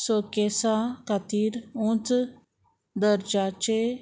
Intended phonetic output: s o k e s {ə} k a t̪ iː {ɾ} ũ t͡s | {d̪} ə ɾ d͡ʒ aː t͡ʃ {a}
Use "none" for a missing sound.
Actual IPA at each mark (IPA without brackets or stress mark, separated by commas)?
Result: a, ɾ, d̪, e